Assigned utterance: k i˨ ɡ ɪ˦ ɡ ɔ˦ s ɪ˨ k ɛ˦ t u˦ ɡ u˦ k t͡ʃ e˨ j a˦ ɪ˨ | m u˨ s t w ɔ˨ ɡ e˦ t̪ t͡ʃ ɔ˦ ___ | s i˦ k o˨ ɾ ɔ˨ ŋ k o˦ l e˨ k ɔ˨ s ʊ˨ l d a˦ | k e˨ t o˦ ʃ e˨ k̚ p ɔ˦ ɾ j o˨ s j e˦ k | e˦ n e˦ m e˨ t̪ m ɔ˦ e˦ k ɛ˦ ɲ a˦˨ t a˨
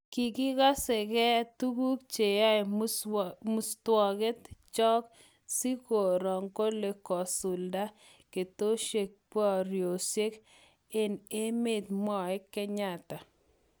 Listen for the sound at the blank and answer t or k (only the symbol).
k